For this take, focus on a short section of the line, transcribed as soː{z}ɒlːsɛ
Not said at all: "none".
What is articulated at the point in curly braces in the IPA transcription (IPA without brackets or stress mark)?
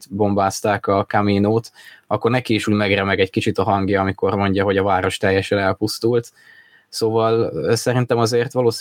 v